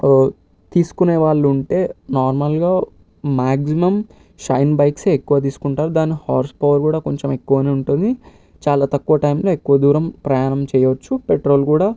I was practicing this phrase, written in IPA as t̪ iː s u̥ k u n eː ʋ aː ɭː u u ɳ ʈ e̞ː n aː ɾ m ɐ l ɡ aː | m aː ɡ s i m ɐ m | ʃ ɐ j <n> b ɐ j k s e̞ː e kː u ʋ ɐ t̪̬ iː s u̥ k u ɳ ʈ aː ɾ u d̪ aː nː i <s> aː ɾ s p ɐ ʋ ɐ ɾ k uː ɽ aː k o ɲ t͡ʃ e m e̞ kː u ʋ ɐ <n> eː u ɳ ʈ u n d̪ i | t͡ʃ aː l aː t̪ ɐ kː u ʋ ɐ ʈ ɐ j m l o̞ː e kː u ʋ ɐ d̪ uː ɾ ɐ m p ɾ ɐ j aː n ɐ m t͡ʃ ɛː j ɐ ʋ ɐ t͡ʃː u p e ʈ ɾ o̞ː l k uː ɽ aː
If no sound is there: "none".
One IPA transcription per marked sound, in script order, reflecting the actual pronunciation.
n, h, n

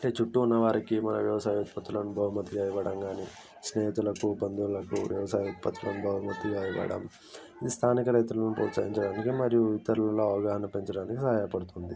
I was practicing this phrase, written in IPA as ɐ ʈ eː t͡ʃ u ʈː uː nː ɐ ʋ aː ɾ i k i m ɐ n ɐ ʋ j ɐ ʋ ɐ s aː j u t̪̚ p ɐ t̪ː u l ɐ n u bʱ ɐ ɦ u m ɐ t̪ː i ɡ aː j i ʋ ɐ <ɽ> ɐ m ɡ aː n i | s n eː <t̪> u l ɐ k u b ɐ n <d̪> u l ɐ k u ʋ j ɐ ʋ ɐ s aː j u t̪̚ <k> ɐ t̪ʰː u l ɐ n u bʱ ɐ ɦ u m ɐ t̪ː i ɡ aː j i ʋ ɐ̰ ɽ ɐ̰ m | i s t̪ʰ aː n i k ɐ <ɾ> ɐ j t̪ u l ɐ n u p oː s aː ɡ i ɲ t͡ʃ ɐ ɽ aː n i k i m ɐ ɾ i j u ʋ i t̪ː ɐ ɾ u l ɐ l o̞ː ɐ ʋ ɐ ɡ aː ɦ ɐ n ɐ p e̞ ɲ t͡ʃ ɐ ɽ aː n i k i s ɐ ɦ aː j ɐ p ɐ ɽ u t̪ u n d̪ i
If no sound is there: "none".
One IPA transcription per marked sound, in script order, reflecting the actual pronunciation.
ɽ, t̪, d̪, p, ɾ

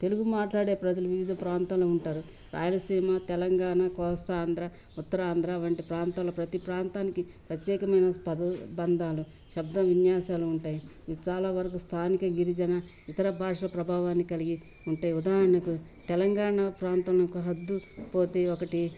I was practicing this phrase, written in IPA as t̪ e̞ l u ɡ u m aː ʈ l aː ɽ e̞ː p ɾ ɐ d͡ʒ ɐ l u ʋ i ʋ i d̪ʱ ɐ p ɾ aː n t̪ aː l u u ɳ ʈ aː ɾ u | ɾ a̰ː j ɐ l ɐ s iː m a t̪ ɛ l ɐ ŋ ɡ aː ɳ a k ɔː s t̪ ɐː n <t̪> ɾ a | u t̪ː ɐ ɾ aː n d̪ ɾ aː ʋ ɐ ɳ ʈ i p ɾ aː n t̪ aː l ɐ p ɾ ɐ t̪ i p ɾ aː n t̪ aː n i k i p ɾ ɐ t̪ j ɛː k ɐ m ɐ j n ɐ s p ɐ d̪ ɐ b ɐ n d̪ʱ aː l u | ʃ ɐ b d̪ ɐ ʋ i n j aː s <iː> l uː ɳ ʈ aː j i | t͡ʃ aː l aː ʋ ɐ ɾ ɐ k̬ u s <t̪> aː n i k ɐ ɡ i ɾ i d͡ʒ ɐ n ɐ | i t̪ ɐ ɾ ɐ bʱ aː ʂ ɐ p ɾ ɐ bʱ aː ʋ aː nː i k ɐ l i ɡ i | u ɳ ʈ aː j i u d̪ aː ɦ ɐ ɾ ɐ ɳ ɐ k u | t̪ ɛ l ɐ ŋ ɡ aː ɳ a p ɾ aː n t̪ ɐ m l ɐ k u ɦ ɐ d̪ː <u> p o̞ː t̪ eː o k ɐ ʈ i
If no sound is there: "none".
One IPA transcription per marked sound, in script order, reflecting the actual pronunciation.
d̪, aː, t̪ʰ, u

